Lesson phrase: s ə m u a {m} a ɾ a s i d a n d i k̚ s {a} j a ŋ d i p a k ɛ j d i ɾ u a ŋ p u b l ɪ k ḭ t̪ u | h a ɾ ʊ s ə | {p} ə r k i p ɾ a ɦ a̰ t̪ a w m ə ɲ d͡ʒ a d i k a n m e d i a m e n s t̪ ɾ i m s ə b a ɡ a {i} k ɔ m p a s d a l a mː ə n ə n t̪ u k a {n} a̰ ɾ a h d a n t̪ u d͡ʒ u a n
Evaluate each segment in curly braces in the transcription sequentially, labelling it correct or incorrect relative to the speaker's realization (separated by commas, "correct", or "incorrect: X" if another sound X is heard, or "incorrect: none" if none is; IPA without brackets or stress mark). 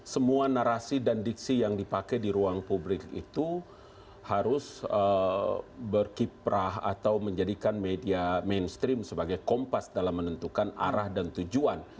incorrect: n, incorrect: i, incorrect: b, incorrect: j, correct